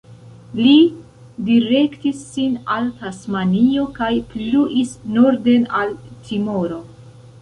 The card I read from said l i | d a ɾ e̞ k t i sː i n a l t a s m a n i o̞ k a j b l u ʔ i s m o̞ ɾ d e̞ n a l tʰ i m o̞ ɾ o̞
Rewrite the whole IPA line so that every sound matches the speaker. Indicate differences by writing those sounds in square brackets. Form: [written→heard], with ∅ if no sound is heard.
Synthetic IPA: l i | d [a→i] ɾ e̞ k t i sː i n a l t a s m a n i o̞ k a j [b→p] l u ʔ i s [m→n] o̞ ɾ d e̞ n a l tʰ i m o̞ ɾ o̞

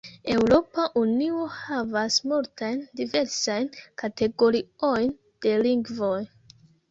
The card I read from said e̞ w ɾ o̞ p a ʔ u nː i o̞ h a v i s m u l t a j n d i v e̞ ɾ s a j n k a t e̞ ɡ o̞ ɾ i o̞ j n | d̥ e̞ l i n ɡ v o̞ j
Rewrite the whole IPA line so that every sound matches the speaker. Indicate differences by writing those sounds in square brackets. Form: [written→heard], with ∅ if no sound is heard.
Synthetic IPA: e̞ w ɾ o̞ p a ʔ u [nː→n] i o̞ h a v [i→a] s m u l t a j n d i v e̞ ɾ s a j n k a t e̞ ɡ o̞ ɾ i o̞ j n | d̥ e̞ l i [n→ŋ] ɡ v o̞ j

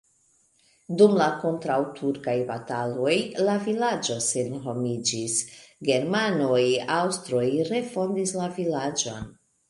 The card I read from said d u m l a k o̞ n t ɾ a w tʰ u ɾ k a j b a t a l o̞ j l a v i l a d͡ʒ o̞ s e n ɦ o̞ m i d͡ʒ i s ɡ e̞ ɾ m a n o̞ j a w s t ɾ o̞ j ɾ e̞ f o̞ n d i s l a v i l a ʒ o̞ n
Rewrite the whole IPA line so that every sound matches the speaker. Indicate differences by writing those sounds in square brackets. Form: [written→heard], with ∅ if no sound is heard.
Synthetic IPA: d u m l a k o̞ n t ɾ a w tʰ u ɾ k a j b a t a l o̞ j l a v i l a d͡ʒ o̞ s e n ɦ o̞ m i d͡ʒ i s ɡ e̞ ɾ m a n o̞ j a w s t ɾ o̞ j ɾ e̞ f o̞ n d i s l a v i l a [ʒ→d͡ʒ] o̞ n

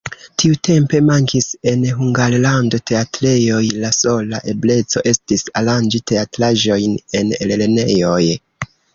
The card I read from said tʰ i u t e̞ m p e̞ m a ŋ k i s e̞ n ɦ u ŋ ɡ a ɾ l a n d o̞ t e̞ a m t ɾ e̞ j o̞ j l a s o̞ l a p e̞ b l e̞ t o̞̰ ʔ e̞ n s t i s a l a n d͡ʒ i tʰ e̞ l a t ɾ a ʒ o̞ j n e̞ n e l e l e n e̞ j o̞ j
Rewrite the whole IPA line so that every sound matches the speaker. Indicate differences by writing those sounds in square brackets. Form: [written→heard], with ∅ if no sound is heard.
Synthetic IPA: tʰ i u t e̞ m p e̞ m a ŋ k i s e̞ n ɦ u ŋ ɡ a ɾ l a n d o̞ t e̞ a [m→∅] t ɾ e̞ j o̞ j l a s o̞ l a [p→ʔ] e̞ b l e̞ [t→t͡s] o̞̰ ʔ e̞ [n→∅] s t i s a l a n d͡ʒ i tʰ e̞ [l→∅] a t ɾ a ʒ o̞ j n e̞ n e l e l e n e̞ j o̞ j

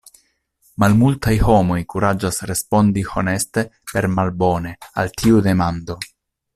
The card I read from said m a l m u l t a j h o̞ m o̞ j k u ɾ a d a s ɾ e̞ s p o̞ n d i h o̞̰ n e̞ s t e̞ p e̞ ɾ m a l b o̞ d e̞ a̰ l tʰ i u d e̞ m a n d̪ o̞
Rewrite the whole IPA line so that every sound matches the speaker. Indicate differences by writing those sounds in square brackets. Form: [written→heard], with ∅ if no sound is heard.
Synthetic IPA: m a l m u l t a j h o̞ m o̞ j k u ɾ a [d→d͡ʒ] a s ɾ e̞ s p o̞ n d i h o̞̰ n e̞ s t e̞ p e̞ ɾ m a l b o̞ [d→n] e̞ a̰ l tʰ i u d e̞ m a n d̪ o̞

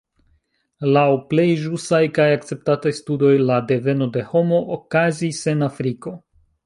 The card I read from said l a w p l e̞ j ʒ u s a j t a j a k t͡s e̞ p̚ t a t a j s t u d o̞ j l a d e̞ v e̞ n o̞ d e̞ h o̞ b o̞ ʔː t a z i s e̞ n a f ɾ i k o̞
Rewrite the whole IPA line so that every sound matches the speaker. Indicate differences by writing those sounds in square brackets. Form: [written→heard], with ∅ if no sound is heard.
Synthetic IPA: l a w p l e̞ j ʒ u s a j [t→k] a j a k t͡s e̞ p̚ t a t a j s t u d o̞ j l a d e̞ v e̞ n o̞ d e̞ h o̞ [b→m] o̞ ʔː [t→k] a z i s e̞ n a f ɾ i k o̞

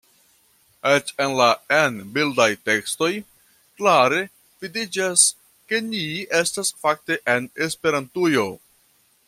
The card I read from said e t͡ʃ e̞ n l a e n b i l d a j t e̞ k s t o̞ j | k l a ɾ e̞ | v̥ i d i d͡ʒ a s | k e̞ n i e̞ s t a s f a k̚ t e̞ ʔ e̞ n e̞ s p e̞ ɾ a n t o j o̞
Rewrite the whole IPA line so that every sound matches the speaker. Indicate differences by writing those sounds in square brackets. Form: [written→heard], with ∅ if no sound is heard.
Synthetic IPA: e t͡ʃ e̞ n l a e n b i l d a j t e̞ k s t o̞ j | k l a ɾ e̞ | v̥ i d i d͡ʒ a s | k e̞ n i e̞ s t a s f a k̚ t e̞ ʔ e̞ n e̞ s p e̞ ɾ a n t [o→u] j o̞

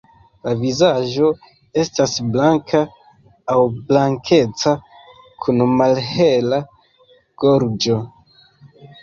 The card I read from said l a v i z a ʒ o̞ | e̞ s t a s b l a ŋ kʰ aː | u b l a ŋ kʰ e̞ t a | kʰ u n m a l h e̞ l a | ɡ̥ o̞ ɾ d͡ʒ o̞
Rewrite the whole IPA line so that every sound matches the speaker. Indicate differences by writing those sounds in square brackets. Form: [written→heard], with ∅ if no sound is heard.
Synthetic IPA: l a v i z a ʒ o̞ | e̞ s t a s b l a ŋ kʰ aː | [u→w] b l a ŋ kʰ e̞ [t→t͡s] a | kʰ u n m a l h e̞ l a | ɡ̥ o̞ ɾ d͡ʒ o̞

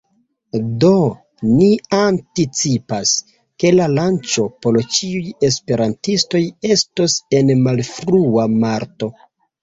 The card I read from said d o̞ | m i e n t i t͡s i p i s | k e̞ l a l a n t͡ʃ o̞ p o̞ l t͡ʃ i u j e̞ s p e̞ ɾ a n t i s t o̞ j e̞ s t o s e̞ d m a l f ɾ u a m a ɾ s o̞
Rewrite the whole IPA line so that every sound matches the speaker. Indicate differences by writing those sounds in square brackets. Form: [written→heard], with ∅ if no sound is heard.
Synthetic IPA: d o̞ | [m→n] i [e→a] n t i t͡s i p [i→a] s | k e̞ l a l a n t͡ʃ o̞ p o̞ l t͡ʃ i u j e̞ s p e̞ ɾ a n t i s t o̞ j e̞ s t o s e̞ [d→n] m a l f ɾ u a m a ɾ [s→t] o̞

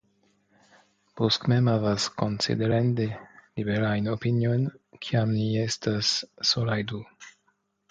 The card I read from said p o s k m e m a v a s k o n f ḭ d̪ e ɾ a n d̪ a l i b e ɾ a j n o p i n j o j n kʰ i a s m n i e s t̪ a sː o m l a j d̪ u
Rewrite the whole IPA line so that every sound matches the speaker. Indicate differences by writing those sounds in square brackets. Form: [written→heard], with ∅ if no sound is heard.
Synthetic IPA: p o s k m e m a v a s k o n [f→s] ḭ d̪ e ɾ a n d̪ [a→e] l i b e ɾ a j n o p i n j o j n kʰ i a [s→∅] m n i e s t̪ a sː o [m→∅] l a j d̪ u

